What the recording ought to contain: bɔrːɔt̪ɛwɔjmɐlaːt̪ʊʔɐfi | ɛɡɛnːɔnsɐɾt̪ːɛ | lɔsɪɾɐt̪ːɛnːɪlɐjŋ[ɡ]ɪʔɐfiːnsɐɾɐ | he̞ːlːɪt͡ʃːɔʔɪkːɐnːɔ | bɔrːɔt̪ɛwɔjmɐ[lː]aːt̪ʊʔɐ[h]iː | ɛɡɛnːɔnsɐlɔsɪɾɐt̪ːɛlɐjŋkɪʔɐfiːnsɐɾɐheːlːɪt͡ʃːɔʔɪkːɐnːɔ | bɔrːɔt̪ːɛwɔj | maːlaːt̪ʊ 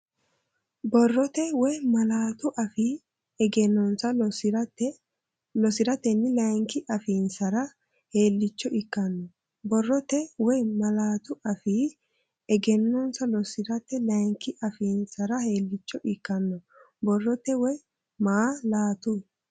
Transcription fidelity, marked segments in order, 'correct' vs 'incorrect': incorrect: k, incorrect: l, incorrect: f

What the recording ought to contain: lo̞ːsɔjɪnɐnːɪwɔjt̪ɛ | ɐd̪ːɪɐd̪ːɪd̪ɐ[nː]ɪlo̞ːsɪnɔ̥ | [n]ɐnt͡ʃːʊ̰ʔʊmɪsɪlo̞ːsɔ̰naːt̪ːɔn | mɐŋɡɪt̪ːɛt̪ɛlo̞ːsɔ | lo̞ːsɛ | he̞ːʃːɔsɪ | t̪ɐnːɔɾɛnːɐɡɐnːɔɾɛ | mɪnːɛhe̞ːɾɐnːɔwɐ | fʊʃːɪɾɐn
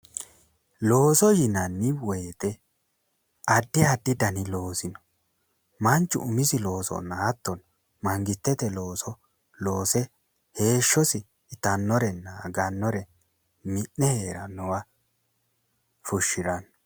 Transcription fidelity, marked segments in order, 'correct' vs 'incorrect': incorrect: n, incorrect: m

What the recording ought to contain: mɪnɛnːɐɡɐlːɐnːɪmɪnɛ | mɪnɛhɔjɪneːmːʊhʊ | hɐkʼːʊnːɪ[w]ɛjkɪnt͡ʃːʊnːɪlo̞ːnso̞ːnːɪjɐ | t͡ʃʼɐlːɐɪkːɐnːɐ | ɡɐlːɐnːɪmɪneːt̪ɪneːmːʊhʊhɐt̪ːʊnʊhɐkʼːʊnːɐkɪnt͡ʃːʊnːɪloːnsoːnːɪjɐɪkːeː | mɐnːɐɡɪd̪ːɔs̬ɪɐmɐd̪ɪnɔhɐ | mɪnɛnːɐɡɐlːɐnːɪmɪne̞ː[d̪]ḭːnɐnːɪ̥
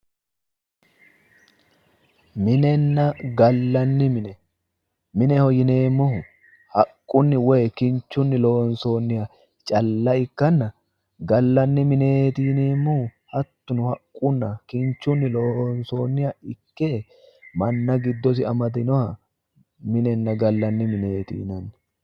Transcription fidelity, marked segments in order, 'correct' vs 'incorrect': correct, incorrect: t̪

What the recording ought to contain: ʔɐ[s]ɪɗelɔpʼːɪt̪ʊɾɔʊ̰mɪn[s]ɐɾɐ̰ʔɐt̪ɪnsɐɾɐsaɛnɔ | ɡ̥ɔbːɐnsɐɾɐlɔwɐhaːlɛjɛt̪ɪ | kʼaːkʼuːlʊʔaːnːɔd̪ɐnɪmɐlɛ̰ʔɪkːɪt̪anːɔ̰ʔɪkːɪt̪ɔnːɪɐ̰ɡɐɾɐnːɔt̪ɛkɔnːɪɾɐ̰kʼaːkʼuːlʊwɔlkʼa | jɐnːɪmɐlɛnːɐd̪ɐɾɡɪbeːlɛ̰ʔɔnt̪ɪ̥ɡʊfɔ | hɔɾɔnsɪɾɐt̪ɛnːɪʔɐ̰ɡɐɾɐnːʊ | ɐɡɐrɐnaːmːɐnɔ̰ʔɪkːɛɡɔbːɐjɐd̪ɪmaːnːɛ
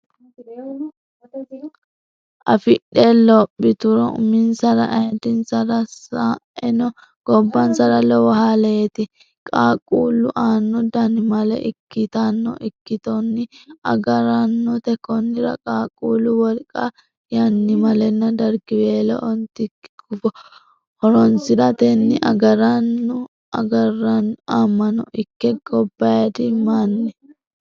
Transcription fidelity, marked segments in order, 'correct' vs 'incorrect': incorrect: f, correct

